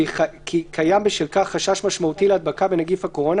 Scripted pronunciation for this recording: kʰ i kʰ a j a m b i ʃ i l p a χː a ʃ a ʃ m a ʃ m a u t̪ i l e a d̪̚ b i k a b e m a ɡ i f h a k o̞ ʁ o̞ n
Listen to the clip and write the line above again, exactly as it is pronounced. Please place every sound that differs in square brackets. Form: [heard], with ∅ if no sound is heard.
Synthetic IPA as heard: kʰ i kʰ a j a m b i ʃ i l [k] a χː a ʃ a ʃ m a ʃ m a u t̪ i l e a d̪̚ b [a] k a b e [n] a ɡ i f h a k o̞ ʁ o̞ n